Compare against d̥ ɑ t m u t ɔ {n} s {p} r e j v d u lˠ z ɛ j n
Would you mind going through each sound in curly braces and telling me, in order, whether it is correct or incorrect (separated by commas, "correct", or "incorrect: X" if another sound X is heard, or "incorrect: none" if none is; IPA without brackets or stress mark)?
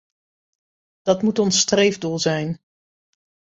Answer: correct, incorrect: t